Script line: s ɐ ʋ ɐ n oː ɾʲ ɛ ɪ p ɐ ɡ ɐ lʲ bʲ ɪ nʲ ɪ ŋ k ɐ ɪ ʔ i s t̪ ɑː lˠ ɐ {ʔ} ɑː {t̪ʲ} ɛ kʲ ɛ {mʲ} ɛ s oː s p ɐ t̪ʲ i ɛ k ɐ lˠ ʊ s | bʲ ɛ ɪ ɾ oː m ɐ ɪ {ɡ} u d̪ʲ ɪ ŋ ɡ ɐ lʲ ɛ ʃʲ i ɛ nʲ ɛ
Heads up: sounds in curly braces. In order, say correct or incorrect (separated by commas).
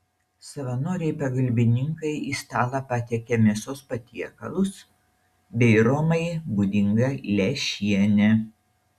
incorrect, correct, correct, incorrect